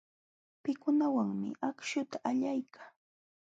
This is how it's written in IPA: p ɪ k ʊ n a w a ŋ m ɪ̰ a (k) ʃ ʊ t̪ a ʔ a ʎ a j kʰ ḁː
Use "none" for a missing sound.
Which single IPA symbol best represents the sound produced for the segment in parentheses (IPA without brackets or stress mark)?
k